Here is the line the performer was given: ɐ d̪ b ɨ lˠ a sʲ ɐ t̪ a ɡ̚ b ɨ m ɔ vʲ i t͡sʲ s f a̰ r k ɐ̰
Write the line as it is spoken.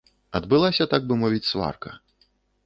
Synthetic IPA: ɐ d̪ b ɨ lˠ a sʲ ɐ t̪ a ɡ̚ b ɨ m ɔ vʲ i t͡sʲ s v a̰ r k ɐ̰